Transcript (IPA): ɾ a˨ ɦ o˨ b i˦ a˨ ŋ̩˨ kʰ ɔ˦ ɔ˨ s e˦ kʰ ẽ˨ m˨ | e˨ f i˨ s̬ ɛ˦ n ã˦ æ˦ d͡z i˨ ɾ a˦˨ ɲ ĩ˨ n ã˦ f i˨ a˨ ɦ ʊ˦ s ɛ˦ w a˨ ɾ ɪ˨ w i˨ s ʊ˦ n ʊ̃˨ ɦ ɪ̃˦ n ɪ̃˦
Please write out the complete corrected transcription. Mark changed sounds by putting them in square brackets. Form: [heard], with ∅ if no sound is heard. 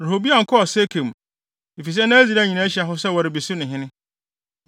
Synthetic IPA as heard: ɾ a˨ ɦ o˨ b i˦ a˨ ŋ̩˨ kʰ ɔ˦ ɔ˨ s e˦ kʰ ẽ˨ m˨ | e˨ f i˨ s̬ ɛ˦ n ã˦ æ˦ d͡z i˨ ɾ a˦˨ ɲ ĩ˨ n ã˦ [ɕ] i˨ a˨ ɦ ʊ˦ s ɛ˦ w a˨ ɾ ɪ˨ [b] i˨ s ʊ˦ n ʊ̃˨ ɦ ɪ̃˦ n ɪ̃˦